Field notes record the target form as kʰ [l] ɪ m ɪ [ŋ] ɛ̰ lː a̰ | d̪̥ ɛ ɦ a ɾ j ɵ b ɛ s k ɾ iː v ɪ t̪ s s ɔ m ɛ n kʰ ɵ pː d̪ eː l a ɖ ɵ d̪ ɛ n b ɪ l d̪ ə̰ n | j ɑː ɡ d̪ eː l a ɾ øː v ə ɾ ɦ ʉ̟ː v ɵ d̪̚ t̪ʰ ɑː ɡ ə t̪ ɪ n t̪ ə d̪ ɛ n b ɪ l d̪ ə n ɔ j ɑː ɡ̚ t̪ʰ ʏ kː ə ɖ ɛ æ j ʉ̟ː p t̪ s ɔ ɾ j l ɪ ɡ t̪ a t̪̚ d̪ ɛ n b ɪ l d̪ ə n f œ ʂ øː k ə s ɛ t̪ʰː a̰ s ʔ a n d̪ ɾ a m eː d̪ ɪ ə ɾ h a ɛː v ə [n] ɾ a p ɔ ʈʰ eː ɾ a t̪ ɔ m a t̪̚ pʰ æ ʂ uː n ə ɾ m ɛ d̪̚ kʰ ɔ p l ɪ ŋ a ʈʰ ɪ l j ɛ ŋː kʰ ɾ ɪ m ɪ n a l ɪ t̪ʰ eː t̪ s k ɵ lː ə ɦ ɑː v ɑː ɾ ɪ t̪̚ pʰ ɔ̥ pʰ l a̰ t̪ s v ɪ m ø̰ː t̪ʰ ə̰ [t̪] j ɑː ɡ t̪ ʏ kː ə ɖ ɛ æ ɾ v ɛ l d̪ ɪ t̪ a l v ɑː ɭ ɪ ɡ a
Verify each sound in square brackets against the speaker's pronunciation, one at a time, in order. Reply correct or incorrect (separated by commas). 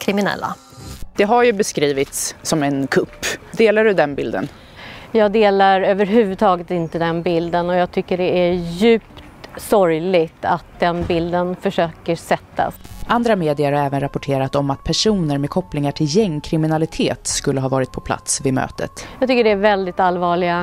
incorrect, incorrect, correct, correct